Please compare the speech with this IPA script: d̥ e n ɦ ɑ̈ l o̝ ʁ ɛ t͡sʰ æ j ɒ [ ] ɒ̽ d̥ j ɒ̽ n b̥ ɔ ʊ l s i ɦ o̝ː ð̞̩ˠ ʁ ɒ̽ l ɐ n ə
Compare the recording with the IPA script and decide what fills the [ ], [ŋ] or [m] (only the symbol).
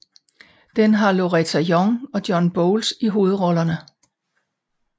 ŋ